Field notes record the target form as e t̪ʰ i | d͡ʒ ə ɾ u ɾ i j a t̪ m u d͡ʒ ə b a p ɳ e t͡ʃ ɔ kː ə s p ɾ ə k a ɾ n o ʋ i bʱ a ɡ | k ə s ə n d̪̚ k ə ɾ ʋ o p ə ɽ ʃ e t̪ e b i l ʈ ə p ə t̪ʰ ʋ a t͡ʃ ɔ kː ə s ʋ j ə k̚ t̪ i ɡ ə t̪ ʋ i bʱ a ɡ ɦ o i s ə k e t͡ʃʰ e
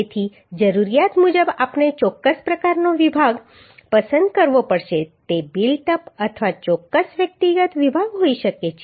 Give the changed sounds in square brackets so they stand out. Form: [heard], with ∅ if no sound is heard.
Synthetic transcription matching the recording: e t̪ʰ i | d͡ʒ ə ɾ u ɾ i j a t̪ m u d͡ʒ ə b a p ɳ e t͡ʃ ɔ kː ə s p ɾ ə k a ɾ n o ʋ i bʱ a ɡ | [p] ə s ə n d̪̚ k ə ɾ ʋ o p ə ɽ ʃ e t̪ e b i l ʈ ə p ə t̪ʰ ʋ a t͡ʃ ɔ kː ə s ʋ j ə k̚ t̪ i ɡ ə t̪ ʋ i bʱ a ɡ ɦ o i [ʃ] ə k e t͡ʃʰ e